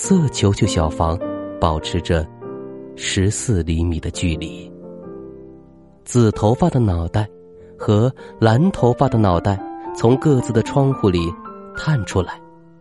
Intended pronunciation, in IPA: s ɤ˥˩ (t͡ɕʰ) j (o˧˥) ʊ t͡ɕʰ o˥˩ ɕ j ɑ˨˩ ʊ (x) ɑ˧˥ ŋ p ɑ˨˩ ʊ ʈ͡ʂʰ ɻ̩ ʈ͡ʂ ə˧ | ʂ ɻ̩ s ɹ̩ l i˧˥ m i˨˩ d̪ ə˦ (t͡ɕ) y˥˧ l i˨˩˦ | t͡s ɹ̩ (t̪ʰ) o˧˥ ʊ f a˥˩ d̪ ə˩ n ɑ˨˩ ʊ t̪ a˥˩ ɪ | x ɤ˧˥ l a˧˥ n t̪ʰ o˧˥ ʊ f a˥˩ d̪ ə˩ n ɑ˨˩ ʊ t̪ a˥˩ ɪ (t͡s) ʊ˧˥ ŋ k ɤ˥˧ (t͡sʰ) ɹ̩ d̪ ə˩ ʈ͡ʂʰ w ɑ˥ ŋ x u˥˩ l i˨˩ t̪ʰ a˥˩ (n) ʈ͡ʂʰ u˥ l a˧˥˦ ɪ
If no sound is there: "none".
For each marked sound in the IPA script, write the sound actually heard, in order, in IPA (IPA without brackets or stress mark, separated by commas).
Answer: t͡ɕʰ, o˧˥, f, t͡ɕ, t̪ʰ, t͡sʰ, t͡s, n